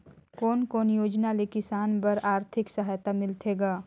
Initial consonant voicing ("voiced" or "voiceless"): voiceless